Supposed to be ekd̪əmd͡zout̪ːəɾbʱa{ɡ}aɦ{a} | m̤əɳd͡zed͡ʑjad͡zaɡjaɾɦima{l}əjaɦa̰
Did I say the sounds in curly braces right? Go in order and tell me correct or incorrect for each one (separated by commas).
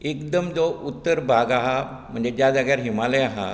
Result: correct, correct, correct